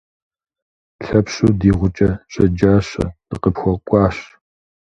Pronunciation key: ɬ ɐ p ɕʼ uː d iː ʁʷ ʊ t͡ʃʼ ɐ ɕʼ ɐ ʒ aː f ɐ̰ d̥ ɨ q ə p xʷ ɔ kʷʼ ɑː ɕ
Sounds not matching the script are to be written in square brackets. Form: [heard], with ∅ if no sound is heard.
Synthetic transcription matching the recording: ɬ ɐ p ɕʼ uː d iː ʁʷ ʊ t͡ʃʼ ɐ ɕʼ ɐ [d͡ʒ] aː [ɕ] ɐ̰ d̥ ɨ q ə p xʷ ɔ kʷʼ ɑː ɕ